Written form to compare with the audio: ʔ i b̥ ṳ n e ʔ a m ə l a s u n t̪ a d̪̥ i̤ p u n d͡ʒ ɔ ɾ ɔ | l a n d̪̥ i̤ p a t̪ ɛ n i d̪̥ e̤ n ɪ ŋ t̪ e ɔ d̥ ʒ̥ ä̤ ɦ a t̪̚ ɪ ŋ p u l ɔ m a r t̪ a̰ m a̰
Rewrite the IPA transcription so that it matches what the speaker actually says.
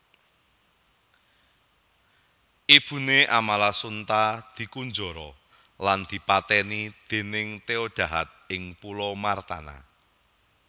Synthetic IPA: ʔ i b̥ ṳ n e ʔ a m a l a s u n t̪ a d̪̥ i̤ k u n d͡ʒ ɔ ɾ ɔ | l a n d̪̥ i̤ p a t̪ ɛ n i d̪̥ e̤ n ɪ ŋ t̪ e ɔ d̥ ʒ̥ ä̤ ɦ a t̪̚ ɪ ŋ p u l ɔ m a r t̪ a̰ n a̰